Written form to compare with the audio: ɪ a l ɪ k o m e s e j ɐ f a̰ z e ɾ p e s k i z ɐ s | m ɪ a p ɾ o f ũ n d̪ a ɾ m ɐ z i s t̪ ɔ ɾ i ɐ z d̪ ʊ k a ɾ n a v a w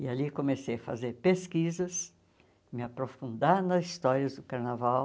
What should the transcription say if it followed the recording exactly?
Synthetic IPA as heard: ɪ a l i k o m e s e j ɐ f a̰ z e ɾ p e s k i z ɐ s | m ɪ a p ɾ o f ũ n d̪ a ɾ n ɐ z i s t̪ ɔ ɾ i ɐ z d̪ ʊ k a ɾ n a v a w